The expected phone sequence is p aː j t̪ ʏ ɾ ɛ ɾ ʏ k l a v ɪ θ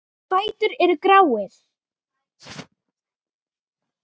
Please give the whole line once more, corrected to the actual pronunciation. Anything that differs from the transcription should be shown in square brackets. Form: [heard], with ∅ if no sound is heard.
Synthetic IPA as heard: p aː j t̪ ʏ ɾ ɛ ɾ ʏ k [ɾ] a [w] ɪ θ